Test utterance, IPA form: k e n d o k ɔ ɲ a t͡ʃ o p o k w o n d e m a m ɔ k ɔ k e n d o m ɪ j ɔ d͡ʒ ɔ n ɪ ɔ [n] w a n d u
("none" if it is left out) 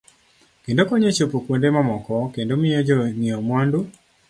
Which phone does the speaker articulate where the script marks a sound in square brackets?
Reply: m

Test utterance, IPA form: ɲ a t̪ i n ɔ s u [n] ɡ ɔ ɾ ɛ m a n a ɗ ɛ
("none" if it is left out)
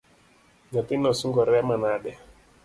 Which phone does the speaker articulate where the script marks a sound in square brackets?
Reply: ŋ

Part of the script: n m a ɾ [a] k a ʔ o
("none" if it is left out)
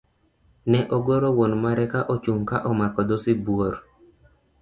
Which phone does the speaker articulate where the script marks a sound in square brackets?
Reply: ɛ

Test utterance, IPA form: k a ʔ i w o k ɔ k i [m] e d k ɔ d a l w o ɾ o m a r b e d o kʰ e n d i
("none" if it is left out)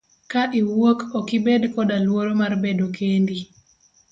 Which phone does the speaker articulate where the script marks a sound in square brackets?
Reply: b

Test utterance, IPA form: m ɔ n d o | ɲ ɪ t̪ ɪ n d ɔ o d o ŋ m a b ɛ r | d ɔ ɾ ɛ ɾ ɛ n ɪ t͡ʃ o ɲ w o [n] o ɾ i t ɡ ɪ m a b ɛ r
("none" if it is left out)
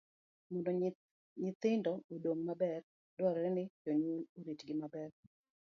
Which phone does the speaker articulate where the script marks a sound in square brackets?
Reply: n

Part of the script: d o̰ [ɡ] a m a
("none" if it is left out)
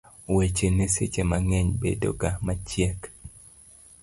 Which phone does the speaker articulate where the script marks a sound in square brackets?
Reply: ɡ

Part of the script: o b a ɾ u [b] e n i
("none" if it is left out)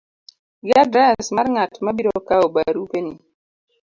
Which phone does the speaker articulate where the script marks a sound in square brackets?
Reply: p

